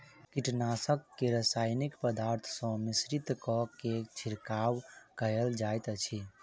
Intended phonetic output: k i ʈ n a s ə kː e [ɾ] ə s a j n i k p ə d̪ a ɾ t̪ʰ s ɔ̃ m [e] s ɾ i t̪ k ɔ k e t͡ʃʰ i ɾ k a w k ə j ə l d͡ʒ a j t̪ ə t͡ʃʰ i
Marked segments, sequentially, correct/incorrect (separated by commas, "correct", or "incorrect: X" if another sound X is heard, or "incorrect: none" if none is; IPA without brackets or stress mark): correct, incorrect: i